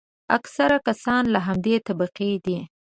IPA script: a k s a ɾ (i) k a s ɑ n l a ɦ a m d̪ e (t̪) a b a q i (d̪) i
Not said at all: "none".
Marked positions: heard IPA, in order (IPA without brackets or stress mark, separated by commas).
a, t̪, d̪